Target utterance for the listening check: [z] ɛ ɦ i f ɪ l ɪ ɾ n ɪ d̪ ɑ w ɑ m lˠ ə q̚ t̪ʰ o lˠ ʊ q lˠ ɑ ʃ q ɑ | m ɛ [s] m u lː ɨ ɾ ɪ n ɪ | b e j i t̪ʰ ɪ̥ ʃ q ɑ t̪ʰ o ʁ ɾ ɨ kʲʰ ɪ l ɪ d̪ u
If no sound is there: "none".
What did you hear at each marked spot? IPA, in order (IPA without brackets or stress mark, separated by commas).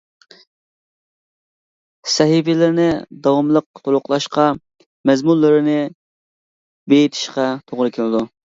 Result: s, z